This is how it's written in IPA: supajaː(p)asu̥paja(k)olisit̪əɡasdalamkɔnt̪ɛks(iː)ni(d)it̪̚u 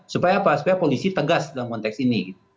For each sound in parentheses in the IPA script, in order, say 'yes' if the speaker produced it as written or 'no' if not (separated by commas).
yes, no, no, no